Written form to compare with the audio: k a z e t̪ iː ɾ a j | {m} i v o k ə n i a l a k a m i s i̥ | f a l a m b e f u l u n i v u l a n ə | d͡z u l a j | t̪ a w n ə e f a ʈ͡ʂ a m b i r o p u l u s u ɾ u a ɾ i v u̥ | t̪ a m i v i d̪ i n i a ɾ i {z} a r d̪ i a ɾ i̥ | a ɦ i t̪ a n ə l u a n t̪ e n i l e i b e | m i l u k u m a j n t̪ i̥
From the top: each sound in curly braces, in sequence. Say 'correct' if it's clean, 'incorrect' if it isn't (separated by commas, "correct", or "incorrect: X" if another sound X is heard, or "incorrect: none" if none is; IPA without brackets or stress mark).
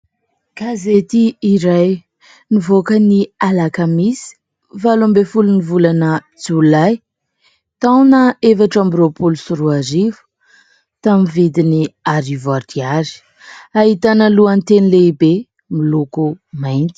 incorrect: n, incorrect: v